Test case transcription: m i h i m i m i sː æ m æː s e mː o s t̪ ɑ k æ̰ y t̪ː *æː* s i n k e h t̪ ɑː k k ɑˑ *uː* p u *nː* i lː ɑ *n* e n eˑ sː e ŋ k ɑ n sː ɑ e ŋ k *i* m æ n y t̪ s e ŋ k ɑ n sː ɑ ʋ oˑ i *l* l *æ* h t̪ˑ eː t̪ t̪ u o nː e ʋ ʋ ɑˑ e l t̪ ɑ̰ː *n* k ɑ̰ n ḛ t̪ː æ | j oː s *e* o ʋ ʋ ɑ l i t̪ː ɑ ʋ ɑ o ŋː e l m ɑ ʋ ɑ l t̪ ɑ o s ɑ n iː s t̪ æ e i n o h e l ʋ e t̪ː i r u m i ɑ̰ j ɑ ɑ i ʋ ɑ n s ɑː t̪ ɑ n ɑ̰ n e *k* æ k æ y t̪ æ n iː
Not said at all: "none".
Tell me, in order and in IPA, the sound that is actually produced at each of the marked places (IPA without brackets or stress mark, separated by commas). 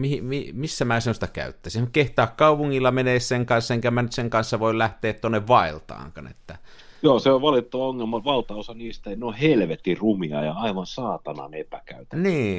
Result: æ, u, ŋː, m, æ, l, æ, ŋ, e, p